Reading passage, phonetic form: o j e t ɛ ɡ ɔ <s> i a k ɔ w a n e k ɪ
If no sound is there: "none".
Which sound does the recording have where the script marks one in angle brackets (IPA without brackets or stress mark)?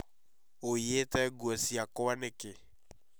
s